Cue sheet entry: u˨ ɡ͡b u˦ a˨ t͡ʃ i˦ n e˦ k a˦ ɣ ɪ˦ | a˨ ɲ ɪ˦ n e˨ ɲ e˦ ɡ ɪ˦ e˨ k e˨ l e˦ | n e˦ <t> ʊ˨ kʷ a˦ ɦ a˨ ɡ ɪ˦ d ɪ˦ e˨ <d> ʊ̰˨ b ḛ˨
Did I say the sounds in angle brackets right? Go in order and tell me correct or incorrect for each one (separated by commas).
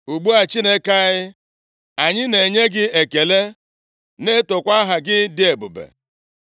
correct, incorrect